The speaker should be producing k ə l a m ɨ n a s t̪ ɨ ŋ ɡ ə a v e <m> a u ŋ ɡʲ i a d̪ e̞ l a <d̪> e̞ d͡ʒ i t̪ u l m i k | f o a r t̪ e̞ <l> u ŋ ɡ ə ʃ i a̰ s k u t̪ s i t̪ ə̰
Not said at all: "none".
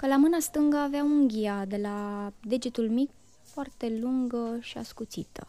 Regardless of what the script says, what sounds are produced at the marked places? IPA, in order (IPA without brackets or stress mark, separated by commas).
none, d̪, l